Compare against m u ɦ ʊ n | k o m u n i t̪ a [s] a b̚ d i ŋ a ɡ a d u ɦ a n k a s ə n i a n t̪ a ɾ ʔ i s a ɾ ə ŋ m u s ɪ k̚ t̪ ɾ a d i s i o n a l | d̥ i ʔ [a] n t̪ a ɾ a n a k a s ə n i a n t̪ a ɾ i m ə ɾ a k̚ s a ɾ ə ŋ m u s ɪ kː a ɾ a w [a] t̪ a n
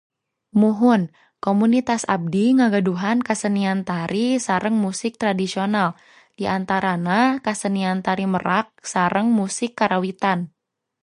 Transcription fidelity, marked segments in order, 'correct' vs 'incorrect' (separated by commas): correct, correct, incorrect